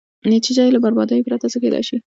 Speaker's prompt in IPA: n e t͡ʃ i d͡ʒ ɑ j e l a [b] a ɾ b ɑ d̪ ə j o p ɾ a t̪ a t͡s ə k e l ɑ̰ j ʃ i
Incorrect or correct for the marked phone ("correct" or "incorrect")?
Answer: correct